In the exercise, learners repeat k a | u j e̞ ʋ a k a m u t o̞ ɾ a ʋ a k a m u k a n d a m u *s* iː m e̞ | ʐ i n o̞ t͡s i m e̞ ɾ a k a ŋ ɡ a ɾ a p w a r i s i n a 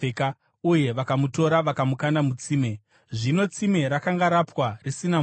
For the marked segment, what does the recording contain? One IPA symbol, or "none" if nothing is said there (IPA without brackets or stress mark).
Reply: t͡s